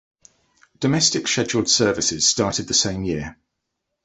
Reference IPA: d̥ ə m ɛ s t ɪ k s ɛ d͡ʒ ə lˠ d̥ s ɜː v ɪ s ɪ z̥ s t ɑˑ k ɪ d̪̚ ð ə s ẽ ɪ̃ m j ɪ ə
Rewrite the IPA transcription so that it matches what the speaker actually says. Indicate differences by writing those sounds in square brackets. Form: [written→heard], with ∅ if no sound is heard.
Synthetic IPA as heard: d̥ ə m ɛ s t ɪ k [s→ʃ] ɛ d͡ʒ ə lˠ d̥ s ɜː v ɪ s ɪ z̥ s t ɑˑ [k→t] ɪ d̪̚ ð ə s ẽ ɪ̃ m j ɪ ə